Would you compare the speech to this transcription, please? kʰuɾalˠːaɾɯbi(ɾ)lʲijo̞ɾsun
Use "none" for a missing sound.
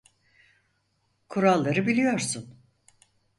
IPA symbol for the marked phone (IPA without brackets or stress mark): none